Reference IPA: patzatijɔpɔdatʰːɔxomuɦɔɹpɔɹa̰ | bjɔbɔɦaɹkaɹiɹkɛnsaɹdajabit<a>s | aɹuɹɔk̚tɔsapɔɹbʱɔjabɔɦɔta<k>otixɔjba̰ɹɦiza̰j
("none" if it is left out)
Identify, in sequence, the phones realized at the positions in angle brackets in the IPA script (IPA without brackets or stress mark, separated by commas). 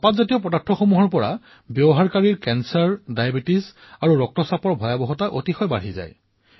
i, ʔ